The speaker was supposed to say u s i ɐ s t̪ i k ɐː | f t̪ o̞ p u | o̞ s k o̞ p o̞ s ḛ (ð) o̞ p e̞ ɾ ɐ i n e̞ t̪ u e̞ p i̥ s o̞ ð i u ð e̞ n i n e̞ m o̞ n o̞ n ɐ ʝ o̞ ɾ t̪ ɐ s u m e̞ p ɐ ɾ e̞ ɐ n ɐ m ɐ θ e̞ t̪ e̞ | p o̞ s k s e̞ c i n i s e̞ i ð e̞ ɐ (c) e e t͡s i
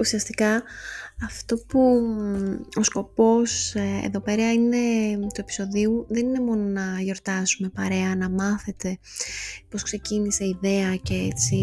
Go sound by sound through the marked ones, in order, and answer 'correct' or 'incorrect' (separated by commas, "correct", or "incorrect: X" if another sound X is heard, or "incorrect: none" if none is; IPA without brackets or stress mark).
correct, correct